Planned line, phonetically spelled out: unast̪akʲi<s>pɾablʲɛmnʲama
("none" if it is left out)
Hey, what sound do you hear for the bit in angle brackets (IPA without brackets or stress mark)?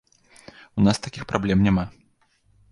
x